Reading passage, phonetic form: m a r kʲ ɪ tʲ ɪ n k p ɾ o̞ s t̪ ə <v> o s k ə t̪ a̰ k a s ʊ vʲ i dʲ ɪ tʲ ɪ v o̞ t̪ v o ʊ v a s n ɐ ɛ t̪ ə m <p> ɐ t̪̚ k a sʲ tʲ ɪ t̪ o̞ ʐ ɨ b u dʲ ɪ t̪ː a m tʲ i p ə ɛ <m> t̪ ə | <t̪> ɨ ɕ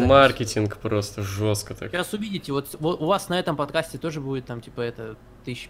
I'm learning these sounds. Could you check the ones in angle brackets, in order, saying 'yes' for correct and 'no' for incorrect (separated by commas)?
no, yes, no, yes